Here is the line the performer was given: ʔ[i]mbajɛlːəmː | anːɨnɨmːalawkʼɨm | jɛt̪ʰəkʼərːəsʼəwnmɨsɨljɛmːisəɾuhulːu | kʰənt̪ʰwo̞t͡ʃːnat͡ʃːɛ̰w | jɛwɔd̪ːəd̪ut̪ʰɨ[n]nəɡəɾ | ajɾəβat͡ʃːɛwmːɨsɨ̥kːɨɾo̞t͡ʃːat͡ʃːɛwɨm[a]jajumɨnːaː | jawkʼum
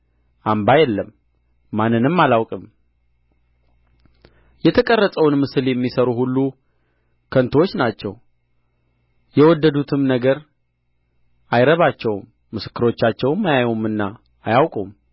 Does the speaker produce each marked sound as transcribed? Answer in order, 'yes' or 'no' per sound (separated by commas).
no, no, yes